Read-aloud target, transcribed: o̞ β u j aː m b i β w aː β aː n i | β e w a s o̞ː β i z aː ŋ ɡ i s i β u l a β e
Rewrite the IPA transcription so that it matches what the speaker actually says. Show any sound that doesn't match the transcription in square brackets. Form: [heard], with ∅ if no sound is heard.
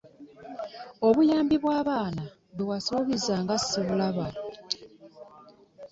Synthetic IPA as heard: o̞ β u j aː m b i β w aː β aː n [a] | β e w a s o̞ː β i z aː ŋ ɡ [a] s i β u l a β [a]